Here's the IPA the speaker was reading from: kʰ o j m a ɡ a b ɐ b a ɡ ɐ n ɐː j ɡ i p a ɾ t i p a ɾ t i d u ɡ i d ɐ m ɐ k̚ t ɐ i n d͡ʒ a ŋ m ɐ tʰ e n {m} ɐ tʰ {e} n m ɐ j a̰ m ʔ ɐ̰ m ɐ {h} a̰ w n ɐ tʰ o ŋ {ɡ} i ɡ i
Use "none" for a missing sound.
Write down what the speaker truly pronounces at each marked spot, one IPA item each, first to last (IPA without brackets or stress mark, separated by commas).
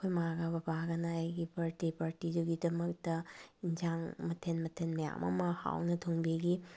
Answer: m, e, h, b